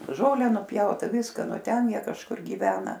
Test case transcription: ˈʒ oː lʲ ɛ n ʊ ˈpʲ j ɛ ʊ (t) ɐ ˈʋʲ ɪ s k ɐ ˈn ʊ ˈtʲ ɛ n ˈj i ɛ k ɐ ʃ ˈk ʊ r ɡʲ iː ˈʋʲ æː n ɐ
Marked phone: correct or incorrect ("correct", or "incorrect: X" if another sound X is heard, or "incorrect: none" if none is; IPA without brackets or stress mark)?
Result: correct